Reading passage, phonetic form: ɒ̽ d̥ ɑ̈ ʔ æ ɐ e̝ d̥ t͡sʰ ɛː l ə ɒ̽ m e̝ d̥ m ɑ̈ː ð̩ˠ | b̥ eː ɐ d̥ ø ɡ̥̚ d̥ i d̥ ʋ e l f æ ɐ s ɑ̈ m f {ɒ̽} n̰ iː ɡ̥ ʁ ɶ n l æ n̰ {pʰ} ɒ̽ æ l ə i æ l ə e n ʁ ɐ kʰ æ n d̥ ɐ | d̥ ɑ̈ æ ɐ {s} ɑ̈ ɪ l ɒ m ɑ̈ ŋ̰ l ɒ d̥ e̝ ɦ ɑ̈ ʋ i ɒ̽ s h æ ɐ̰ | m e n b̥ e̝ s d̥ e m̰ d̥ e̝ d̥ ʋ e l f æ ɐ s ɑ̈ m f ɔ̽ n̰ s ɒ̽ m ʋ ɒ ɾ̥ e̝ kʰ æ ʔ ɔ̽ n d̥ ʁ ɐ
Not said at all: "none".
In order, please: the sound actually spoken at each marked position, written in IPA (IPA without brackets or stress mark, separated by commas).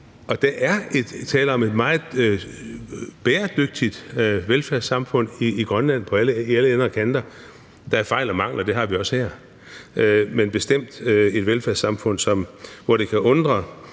ɔ̽, pʰ, f